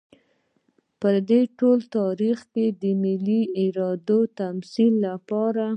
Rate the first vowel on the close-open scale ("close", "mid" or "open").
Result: mid